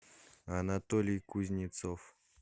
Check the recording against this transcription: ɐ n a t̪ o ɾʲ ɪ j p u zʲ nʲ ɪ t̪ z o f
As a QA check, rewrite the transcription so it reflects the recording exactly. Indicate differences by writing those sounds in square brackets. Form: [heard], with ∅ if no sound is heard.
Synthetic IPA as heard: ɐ n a t̪ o [lʲ] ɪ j [k] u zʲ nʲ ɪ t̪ [s] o f